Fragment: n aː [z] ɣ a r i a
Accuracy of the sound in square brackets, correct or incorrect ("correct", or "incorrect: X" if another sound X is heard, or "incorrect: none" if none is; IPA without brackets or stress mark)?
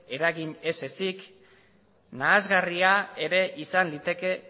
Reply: correct